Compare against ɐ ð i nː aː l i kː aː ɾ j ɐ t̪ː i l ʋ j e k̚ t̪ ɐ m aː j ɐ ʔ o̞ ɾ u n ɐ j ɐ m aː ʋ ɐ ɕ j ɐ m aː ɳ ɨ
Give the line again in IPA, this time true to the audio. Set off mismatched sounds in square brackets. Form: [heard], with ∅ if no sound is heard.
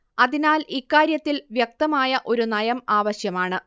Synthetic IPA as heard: ɐ ð i [n] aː l i kː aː ɾ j ɐ t̪ː i l ʋ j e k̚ t̪ ɐ m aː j ɐ ʔ o̞ ɾ u n ɐ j ɐ m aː ʋ ɐ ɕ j ɐ m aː ɳ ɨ